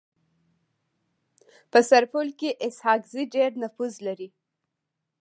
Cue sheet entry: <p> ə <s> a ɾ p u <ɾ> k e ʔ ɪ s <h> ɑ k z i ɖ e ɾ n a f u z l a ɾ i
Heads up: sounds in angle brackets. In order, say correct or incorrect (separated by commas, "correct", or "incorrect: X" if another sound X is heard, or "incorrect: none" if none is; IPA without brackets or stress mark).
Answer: correct, correct, incorrect: l, correct